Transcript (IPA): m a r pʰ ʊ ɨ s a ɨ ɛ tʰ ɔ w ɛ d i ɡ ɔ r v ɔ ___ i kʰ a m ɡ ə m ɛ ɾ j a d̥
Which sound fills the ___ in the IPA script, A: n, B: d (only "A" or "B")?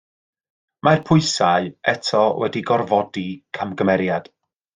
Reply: B